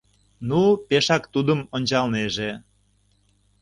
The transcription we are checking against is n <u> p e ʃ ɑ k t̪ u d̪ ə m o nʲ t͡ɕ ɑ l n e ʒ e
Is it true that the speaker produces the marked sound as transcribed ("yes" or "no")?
yes